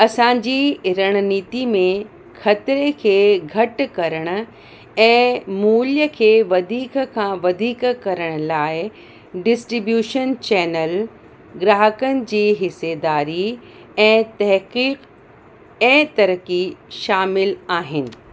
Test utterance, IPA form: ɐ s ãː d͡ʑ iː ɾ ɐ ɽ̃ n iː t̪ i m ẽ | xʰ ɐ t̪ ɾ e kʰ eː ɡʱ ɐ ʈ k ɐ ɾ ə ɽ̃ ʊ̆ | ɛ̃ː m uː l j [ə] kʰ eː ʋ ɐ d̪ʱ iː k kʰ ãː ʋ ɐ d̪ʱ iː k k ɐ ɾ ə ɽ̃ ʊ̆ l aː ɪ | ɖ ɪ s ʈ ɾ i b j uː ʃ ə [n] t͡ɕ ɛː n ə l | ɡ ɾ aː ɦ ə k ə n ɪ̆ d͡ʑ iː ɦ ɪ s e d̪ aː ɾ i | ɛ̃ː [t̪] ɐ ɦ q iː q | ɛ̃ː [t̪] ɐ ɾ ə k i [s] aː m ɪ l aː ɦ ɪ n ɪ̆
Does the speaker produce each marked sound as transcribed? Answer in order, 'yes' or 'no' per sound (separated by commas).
yes, yes, yes, yes, no